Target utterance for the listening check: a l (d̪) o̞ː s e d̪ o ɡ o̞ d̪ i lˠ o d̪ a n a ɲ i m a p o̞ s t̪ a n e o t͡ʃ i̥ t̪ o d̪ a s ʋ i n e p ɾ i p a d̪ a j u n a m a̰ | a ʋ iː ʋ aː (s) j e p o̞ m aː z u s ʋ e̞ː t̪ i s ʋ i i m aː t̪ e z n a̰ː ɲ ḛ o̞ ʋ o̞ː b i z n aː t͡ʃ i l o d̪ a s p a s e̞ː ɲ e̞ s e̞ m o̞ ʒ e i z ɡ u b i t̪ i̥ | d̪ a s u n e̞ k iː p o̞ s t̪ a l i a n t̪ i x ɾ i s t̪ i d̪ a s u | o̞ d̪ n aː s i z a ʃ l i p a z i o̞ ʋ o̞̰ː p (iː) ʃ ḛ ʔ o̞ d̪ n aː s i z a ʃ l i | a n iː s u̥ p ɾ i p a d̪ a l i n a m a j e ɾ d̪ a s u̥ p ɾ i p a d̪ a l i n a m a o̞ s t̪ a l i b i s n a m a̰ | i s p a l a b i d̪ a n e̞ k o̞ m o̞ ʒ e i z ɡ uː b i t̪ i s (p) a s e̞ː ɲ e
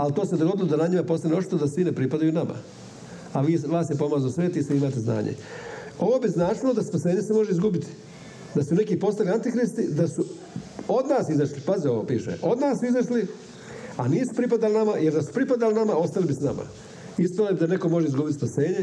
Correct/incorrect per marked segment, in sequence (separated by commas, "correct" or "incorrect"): incorrect, correct, correct, correct